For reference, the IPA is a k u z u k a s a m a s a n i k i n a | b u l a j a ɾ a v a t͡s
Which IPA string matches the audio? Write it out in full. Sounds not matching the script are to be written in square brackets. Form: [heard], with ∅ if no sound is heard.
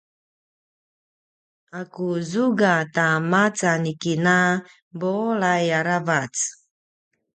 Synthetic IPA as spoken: a k u z u [ɡ] a [t] a m a [t͡s] a n i k i n a | b [o] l a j a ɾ a v a t͡s